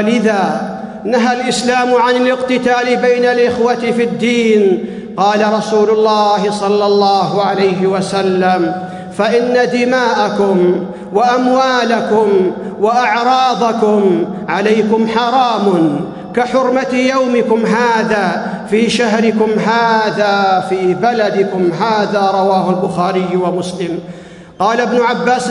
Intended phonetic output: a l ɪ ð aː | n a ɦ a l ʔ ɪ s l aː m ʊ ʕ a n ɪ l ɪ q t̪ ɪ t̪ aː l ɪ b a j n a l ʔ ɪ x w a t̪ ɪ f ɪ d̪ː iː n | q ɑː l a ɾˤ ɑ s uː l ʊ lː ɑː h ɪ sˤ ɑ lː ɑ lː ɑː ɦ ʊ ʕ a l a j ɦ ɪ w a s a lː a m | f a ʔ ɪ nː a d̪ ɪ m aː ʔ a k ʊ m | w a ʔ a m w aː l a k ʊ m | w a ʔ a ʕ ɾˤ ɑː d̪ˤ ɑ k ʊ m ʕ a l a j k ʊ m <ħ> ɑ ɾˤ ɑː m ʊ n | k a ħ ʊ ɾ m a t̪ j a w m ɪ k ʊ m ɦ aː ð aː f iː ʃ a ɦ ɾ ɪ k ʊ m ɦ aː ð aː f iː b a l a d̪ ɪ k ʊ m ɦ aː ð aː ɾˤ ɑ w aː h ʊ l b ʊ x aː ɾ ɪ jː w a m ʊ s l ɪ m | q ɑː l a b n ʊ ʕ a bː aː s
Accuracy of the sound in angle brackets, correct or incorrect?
correct